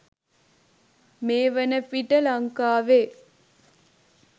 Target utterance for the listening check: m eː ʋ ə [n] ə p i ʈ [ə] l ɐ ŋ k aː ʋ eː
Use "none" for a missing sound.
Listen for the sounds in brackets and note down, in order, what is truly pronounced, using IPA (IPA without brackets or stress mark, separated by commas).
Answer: n, ə